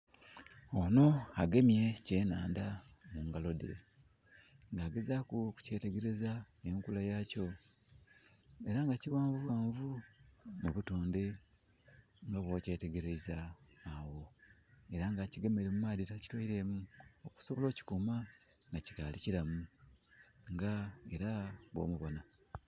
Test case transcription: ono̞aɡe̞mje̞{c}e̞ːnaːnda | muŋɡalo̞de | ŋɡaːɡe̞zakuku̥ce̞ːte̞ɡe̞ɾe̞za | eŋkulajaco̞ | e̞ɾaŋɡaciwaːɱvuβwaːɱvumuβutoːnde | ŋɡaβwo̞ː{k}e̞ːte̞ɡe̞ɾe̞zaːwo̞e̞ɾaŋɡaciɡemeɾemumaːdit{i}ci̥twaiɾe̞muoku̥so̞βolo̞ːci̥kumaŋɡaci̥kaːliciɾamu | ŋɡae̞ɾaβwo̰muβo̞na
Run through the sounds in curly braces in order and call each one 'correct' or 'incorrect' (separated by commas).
correct, incorrect, incorrect